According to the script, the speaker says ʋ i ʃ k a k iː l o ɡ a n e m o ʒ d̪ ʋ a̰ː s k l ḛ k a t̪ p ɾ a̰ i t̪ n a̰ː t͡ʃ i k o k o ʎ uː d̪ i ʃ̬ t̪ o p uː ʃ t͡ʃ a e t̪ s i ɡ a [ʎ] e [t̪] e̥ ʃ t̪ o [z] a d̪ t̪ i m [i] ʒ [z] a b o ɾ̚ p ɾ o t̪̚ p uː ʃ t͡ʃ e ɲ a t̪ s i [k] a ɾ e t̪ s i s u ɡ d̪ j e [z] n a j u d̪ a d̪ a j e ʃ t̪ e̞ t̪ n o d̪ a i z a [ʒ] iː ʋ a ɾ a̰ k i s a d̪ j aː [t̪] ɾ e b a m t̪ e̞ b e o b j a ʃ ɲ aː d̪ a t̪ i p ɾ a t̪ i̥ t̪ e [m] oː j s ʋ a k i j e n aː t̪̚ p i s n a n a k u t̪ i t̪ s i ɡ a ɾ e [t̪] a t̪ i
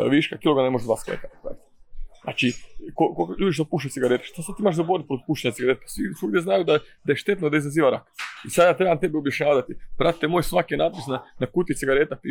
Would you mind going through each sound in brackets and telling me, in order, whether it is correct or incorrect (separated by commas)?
incorrect, correct, incorrect, incorrect, correct, incorrect, correct, incorrect, correct, correct, correct